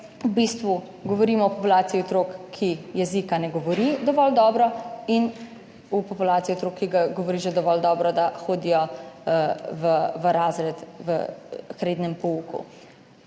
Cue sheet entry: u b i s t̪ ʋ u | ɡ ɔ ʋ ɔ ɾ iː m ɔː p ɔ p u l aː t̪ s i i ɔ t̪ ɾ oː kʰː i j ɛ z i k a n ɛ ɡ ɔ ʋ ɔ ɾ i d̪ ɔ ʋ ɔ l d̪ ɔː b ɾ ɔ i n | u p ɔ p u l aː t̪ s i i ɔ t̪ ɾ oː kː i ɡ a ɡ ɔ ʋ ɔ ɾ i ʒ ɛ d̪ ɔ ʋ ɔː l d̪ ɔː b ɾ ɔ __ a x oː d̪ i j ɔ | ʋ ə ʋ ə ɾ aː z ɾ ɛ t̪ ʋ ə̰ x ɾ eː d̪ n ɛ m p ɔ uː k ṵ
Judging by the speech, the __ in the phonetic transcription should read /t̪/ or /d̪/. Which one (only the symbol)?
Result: d̪